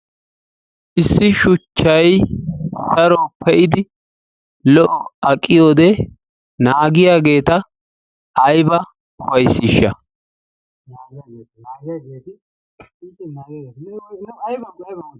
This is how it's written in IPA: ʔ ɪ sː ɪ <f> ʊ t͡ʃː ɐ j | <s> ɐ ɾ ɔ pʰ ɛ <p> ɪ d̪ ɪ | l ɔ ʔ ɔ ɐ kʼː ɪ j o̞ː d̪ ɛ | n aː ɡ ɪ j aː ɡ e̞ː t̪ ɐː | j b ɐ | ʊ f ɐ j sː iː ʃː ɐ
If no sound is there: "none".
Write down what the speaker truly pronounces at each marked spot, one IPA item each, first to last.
ʃ, s, ʔ

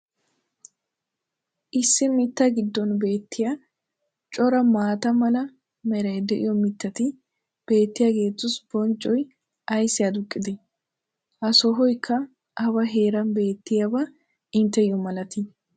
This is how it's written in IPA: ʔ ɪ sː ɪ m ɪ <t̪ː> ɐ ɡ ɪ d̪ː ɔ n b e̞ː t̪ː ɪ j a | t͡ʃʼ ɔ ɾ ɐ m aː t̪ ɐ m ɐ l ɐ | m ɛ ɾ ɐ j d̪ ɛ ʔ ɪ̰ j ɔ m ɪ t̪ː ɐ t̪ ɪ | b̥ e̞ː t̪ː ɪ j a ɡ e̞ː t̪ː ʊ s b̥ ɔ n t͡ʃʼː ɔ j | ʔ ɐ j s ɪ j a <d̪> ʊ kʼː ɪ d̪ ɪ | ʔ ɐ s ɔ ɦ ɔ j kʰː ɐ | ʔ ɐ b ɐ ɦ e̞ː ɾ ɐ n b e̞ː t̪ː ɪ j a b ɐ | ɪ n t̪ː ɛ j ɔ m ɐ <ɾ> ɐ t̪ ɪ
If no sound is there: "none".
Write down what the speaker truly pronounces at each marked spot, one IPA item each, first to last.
t̪ː, d̪, l

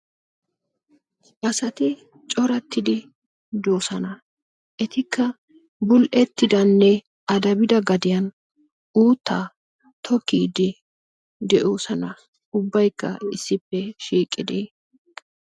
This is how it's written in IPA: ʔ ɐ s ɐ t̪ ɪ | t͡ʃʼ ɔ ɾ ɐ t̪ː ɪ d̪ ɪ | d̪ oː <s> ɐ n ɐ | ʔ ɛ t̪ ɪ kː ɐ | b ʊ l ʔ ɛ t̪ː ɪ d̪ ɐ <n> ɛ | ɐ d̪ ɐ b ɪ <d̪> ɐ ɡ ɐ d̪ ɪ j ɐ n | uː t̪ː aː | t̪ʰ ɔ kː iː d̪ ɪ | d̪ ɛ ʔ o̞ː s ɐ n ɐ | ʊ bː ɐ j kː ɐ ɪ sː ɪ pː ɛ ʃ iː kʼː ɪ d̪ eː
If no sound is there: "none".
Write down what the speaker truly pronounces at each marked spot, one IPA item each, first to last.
s, nː, d̪

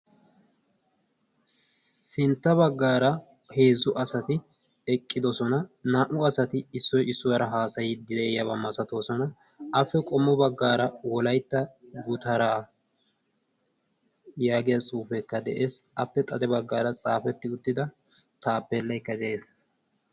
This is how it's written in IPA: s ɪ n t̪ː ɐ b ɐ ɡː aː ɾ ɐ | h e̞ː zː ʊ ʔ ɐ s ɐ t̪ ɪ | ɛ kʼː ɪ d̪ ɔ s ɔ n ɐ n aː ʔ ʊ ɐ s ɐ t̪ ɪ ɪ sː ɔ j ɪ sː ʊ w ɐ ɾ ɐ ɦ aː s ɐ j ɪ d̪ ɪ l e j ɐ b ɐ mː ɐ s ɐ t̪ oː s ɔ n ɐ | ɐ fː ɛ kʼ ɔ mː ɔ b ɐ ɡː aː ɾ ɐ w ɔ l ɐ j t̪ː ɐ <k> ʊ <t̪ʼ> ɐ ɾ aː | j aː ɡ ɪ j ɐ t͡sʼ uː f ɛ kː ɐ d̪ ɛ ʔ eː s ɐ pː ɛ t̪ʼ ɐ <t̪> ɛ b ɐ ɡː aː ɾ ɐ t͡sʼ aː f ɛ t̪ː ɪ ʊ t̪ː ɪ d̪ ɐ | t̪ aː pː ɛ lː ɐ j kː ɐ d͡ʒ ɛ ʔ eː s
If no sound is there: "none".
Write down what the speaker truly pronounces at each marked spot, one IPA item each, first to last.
ɡ, t̪, d̪

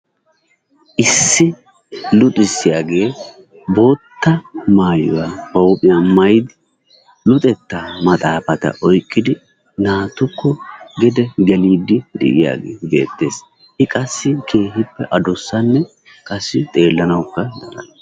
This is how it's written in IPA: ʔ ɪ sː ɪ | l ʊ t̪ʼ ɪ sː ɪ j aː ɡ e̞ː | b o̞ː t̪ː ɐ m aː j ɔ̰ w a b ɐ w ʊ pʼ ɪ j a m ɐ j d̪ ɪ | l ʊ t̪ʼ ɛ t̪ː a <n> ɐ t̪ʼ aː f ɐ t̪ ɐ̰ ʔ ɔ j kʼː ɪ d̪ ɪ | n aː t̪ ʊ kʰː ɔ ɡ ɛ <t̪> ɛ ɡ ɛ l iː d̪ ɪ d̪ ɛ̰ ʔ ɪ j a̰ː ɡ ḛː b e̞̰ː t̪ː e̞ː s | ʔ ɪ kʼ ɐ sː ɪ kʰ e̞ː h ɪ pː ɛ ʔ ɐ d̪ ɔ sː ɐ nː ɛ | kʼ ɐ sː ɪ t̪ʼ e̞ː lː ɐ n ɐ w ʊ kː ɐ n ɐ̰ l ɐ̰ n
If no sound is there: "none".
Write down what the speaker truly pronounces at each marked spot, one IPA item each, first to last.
m, d̪

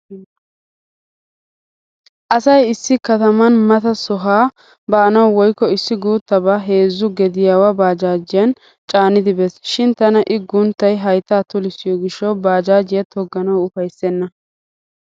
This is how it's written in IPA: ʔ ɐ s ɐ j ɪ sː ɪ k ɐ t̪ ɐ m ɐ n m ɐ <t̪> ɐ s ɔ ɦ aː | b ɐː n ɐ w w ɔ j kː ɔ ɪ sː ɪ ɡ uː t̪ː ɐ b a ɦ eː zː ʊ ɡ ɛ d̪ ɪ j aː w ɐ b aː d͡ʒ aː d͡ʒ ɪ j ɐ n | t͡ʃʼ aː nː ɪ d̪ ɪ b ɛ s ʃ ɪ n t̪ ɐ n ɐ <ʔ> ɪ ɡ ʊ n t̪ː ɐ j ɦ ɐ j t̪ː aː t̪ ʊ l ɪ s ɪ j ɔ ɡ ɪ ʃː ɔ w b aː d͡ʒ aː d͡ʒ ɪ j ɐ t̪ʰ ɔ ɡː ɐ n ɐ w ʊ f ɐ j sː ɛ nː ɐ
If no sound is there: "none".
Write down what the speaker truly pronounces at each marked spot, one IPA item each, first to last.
t̪, ʔ

